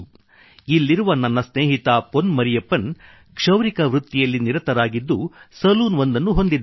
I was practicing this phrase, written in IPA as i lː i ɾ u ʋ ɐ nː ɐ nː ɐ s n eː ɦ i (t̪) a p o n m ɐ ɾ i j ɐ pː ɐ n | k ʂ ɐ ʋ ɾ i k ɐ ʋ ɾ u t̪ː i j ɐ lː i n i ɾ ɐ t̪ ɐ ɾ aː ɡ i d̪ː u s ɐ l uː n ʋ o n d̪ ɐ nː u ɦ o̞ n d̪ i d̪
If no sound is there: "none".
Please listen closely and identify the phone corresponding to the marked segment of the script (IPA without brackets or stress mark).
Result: t̪